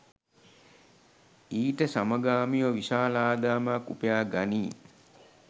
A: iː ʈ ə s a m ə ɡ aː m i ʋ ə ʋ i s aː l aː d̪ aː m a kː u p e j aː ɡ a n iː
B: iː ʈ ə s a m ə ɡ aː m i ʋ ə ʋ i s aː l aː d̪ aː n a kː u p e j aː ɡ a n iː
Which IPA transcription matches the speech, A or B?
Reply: A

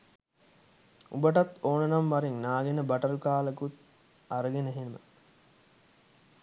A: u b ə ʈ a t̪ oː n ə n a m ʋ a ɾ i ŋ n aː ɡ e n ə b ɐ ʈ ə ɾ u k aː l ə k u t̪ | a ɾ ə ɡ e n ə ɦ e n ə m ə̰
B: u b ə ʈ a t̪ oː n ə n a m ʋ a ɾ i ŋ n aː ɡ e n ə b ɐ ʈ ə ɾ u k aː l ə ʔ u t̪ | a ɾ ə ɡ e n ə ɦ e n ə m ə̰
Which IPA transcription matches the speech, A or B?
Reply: A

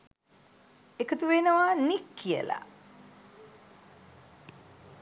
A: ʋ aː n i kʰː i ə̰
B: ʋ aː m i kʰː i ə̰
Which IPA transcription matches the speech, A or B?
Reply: A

